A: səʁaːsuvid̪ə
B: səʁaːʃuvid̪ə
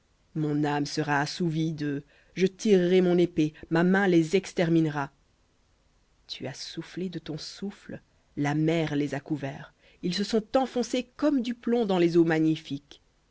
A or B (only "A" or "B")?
A